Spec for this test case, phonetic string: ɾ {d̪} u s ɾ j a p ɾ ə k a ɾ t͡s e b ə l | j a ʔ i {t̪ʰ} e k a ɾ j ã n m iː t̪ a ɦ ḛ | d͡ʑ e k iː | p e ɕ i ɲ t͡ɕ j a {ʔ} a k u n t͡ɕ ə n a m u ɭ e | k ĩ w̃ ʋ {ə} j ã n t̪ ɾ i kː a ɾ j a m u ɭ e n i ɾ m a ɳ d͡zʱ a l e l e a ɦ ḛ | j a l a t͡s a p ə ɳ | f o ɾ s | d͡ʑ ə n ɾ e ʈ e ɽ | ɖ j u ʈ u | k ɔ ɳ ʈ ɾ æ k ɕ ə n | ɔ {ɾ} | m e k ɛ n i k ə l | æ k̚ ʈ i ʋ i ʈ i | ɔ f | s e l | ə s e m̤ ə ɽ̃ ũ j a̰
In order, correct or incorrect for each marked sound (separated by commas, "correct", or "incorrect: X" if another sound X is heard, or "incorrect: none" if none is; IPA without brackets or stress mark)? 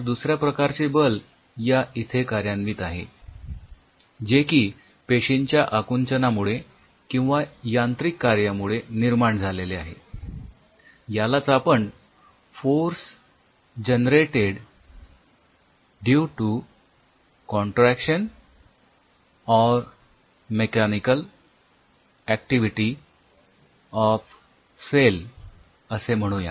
correct, correct, correct, incorrect: a, correct